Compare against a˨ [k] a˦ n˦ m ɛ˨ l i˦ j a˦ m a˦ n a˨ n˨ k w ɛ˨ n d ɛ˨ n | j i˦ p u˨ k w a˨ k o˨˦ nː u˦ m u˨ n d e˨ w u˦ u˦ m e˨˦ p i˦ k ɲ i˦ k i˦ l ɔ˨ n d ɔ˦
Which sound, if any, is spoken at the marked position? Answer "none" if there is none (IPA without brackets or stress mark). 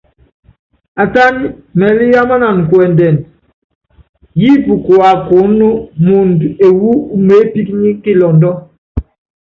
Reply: t